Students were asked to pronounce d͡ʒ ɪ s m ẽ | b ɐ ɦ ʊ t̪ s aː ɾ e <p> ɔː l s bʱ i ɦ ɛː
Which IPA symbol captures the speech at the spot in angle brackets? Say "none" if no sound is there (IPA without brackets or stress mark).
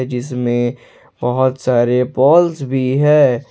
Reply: p